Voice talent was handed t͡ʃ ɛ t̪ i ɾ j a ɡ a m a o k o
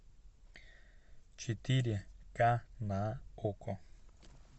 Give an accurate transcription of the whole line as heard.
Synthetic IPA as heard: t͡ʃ i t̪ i ɾ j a k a n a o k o